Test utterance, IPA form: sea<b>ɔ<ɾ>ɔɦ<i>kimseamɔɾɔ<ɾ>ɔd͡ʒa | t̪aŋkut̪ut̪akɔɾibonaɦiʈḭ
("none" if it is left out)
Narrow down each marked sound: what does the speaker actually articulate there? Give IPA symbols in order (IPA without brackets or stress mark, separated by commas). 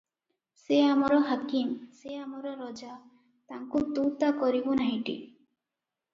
m, ɾ, a, ɾ